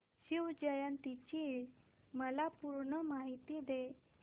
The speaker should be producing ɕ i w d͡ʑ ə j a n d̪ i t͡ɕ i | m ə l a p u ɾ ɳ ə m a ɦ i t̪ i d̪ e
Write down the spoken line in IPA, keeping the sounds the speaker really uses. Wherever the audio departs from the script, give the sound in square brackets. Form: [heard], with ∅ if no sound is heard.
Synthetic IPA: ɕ i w d͡ʑ ə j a n [t̪] i t͡ɕ i | m ə l a p u ɾ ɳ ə m a ɦ i t̪ i d̪ e